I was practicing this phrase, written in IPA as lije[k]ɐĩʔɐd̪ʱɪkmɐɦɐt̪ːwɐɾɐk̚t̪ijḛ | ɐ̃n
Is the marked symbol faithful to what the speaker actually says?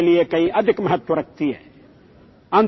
yes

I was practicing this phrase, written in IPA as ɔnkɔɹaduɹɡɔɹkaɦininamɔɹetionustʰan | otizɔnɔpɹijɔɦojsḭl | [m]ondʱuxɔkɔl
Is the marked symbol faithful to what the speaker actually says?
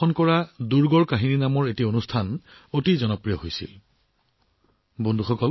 no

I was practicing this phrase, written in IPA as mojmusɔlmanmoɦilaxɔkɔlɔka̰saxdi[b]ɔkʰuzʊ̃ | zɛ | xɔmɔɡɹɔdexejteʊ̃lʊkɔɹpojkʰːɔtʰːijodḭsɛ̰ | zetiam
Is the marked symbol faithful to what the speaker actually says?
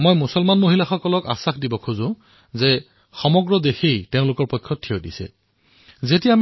yes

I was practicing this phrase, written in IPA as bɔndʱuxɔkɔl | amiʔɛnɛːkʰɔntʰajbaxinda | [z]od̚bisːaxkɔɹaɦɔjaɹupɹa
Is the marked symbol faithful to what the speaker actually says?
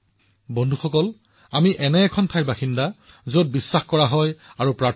yes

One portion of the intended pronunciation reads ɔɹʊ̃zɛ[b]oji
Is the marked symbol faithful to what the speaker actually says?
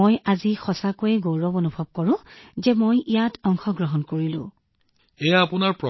no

